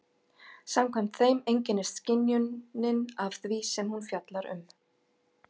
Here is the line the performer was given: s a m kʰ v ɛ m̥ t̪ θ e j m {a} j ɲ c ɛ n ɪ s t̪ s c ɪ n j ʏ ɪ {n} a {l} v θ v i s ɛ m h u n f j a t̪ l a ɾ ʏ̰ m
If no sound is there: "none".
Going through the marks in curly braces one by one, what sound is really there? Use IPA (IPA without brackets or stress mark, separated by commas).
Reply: e, n, none